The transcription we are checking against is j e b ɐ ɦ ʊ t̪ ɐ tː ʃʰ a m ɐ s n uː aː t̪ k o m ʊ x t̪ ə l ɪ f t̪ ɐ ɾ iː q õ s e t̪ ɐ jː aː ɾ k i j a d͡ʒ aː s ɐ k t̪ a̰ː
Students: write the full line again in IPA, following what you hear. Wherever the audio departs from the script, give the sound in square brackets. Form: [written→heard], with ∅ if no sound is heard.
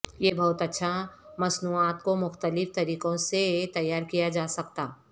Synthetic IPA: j e b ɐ ɦ ʊ t̪ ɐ tː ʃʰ a m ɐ s n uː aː t̪ k o m ʊ x t̪ ə l ɪ f t̪ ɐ ɾ iː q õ s e t̪ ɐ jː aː ɾ k i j a d͡ʒ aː s ɐ k t̪ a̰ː